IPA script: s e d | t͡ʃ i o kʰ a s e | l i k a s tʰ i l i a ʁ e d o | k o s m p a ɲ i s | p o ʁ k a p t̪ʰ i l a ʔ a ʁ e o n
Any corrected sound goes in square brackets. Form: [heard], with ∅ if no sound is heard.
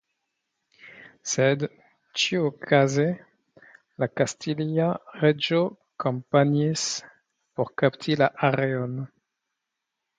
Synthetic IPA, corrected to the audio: s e d | t͡ʃ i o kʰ a [z] e | l [a] k a s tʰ i l i a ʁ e [d͡ʒ] o | k o [∅] m p a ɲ i s | p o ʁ k a p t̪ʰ i l a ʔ a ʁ e o n